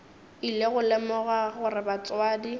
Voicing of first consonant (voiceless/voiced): voiced